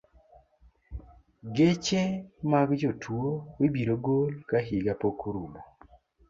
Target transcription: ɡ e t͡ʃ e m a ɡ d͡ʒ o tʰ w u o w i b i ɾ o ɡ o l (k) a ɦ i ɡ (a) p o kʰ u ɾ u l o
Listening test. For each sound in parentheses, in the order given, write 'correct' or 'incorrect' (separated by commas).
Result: correct, correct